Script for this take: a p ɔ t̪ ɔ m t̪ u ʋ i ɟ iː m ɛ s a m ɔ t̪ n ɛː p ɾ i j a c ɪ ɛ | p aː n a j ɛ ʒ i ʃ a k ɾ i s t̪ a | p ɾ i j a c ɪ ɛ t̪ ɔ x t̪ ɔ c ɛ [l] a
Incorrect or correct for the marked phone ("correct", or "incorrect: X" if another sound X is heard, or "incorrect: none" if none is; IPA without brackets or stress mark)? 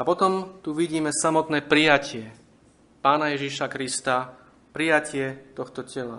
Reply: correct